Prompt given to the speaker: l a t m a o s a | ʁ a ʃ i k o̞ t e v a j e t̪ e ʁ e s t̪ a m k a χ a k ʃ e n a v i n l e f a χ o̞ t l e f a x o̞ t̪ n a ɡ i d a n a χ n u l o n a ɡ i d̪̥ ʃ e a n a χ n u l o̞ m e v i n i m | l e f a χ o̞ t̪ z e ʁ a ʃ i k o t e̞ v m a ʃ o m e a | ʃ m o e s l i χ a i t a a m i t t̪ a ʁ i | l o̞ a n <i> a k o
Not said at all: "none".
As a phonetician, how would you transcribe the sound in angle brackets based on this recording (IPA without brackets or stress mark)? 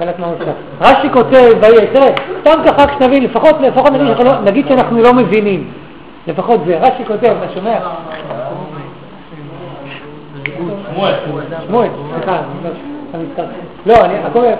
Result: i